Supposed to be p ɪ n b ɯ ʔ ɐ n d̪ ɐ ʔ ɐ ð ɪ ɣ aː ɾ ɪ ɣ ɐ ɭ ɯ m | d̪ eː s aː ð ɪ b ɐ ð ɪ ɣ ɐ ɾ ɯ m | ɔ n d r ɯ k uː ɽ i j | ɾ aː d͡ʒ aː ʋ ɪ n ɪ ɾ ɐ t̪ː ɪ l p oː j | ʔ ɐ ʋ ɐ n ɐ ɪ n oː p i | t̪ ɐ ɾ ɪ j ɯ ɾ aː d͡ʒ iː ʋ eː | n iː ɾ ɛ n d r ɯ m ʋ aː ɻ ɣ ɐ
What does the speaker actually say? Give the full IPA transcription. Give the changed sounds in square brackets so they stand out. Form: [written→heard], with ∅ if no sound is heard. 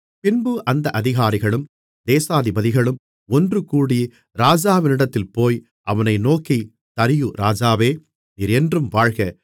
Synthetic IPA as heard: p ɪ n b ɯ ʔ ɐ n d̪ ɐ ʔ ɐ ð ɪ ɣ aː ɾ ɪ ɣ ɐ ɭ ɯ m | d̪ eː s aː ð ɪ b ɐ ð ɪ ɣ ɐ [ɾ→ɭ] ɯ m | ɔ n d r ɯ k uː ɽ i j | ɾ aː d͡ʒ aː ʋ ɪ n ɪ [ɾ→ɽ] ɐ t̪ː ɪ l p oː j | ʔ ɐ ʋ ɐ n ɐ ɪ n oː [p→k] i | t̪ ɐ ɾ ɪ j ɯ ɾ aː d͡ʒ [iː→aː] ʋ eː | n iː ɾ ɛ n d r ɯ m ʋ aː ɻ ɣ ɐ

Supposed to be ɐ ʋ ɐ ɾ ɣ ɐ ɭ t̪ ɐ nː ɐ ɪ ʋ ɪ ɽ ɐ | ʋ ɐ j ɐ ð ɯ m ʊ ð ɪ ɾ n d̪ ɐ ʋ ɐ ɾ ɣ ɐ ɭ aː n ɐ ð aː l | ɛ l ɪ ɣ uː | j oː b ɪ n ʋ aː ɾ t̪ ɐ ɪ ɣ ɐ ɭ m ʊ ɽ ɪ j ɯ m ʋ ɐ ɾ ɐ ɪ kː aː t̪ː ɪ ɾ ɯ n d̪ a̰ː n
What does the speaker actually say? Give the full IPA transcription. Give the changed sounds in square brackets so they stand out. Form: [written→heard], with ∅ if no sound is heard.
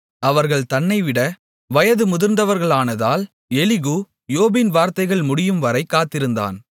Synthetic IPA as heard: ɐ ʋ ɐ ɾ ɣ ɐ ɭ t̪ ɐ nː ɐ ɪ ʋ ɪ ɽ ɐ | ʋ ɐ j ɐ ð ɯ m ʊ ð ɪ ɾ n d̪ ɐ ʋ ɐ ɾ ɣ ɐ ɭ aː n ɐ ð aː l | ɛ l ɪ ɣ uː | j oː b ɪ n ʋ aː ɾ t̪ ɐ ɪ ɣ ɐ ɭ m ʊ ɽ ɪ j ɯ m ʋ ɐ ɾ ɐ ɪ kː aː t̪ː ɪ ɾ ɯ n d̪ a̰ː n

